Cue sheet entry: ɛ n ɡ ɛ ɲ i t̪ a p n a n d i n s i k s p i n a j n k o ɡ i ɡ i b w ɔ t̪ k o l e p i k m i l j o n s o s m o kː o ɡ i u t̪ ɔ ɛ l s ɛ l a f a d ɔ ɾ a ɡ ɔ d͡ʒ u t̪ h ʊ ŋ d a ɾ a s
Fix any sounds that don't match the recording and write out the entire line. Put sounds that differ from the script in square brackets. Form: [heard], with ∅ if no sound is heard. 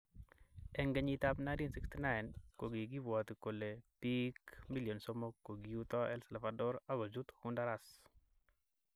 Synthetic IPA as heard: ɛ [ŋ] ɡ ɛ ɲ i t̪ a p n a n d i n s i k s [t] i n a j n k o ɡ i ɡ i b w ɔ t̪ k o l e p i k m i l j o n s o [∅] m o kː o ɡ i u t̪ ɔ ɛ l s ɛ l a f a d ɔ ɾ a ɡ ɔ d͡ʒ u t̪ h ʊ [n] d a ɾ a s